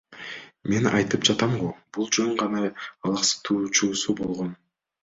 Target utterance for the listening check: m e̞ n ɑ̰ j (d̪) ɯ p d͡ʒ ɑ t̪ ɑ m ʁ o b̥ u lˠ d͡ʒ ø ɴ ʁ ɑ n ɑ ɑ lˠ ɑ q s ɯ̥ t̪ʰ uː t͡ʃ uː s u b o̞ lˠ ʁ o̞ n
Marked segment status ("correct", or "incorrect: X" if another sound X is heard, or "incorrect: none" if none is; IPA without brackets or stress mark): incorrect: t̪